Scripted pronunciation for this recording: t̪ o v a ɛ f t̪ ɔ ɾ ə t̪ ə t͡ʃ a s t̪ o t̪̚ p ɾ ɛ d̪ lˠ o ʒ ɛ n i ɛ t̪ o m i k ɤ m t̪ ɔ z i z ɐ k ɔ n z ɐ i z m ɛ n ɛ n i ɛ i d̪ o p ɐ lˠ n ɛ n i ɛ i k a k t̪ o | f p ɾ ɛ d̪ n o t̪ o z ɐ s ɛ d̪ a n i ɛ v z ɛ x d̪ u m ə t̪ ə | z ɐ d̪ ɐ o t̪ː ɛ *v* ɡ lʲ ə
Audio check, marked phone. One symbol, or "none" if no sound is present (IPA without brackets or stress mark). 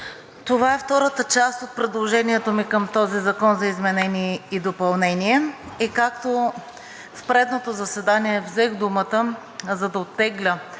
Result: none